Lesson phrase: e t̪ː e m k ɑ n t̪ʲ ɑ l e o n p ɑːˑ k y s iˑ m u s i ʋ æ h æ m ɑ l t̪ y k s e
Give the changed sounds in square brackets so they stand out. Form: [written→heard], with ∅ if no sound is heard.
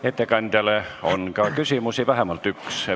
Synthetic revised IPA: e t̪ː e [m→∅] k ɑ n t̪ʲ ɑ l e o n [p→k] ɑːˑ k y s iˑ m u s i ʋ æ h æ m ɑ l t̪ y k s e